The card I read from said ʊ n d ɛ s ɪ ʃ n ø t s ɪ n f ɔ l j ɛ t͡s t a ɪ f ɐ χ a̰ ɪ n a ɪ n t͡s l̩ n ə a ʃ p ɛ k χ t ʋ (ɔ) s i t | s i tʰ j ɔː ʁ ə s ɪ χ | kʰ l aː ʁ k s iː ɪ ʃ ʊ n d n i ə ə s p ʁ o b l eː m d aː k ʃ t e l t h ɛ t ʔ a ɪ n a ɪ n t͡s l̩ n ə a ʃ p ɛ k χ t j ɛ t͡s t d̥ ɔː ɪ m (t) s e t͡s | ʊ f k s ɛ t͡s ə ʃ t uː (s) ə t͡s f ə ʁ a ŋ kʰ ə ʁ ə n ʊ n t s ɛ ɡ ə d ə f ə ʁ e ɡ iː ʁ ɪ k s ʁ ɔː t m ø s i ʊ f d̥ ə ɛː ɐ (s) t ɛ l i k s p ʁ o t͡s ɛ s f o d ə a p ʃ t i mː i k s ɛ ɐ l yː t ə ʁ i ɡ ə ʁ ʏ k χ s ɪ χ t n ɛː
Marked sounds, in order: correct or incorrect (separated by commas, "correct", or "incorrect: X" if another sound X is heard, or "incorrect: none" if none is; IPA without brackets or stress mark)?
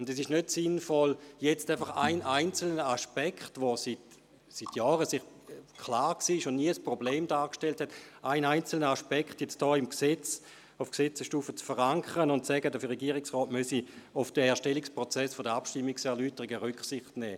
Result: incorrect: o, incorrect: k, incorrect: f, incorrect: ʃ